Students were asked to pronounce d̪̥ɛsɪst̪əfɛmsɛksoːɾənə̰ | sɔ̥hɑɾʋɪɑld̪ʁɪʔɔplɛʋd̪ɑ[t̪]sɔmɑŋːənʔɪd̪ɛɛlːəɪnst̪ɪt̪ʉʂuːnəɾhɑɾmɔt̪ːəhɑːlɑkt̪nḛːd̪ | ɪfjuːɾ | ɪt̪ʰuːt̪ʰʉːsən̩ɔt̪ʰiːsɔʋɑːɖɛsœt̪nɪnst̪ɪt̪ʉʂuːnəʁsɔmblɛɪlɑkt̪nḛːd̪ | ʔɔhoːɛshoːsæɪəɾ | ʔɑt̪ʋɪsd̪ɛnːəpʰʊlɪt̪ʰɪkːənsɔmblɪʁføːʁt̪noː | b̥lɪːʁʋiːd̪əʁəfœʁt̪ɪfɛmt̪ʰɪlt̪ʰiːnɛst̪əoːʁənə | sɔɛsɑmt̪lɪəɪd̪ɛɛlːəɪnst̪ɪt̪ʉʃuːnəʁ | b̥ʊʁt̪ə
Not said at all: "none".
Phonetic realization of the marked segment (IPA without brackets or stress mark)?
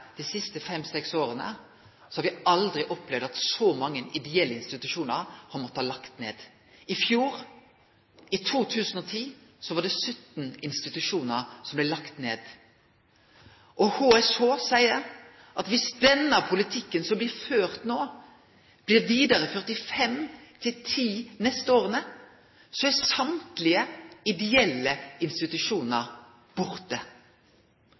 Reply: t̪